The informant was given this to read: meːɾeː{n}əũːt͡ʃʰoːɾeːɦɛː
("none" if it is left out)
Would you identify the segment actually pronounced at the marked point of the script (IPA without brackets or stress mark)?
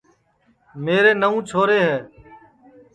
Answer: n